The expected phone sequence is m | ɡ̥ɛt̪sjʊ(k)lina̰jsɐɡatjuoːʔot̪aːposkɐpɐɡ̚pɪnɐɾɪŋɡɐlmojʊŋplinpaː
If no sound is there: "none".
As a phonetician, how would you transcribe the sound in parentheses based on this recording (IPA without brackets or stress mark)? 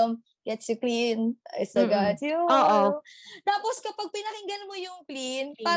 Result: k